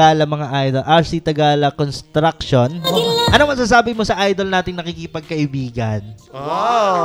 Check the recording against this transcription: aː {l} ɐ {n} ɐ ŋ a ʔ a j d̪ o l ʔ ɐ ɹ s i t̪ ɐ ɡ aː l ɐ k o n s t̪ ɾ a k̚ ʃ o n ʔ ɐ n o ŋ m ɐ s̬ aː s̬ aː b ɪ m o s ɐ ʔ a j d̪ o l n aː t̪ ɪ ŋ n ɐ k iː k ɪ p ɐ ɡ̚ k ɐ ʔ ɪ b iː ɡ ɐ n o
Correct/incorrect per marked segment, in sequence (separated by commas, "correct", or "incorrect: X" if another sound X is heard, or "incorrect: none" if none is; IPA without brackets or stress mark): correct, incorrect: m